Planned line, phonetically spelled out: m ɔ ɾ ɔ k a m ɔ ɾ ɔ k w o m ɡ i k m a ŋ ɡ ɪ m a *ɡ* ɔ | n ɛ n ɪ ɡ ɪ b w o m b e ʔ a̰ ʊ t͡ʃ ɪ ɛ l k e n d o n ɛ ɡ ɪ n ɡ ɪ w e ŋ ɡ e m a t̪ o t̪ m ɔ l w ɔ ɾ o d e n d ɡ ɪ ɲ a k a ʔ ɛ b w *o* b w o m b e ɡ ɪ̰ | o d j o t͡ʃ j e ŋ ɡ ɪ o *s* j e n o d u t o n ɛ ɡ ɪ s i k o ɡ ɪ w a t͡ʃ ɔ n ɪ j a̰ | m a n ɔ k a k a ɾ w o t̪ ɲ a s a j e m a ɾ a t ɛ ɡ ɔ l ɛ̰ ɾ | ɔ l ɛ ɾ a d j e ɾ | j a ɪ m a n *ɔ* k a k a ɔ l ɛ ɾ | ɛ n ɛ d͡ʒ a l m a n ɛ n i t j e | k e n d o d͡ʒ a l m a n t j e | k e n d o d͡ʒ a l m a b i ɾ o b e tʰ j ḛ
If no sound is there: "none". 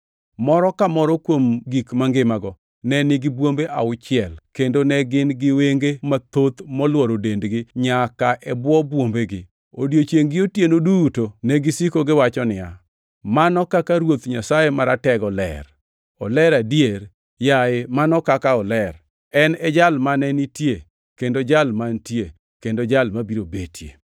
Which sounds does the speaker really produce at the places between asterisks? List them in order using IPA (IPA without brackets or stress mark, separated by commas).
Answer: ɡ, ɔ, t, ɔ